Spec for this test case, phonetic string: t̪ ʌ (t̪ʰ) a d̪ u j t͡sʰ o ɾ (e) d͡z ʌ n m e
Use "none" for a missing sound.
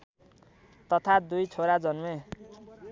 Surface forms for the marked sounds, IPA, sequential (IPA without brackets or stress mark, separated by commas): t̪ʰ, a